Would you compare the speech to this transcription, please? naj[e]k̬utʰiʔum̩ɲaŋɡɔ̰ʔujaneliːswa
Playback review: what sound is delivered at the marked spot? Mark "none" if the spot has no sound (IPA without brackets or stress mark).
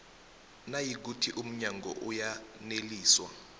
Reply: i